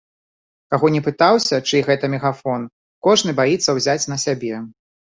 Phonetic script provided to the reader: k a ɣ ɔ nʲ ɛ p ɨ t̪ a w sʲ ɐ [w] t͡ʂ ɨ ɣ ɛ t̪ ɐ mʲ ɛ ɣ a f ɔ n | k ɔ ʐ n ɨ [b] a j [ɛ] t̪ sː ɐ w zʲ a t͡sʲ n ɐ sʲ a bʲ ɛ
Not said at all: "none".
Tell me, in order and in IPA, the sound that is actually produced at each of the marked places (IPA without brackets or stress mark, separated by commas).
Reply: none, b, i